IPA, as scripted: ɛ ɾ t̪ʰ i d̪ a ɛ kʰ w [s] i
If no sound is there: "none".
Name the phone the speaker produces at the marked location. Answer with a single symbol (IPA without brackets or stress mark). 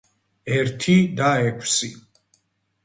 s